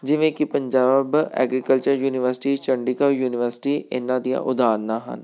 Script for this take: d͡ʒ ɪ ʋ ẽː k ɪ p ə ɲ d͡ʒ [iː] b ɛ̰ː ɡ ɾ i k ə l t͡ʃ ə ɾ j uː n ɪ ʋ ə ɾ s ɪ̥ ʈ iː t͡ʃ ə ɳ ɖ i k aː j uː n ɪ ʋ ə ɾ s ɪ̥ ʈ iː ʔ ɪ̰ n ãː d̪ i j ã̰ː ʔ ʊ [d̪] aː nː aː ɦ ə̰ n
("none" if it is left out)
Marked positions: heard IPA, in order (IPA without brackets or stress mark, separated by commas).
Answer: aː, d̪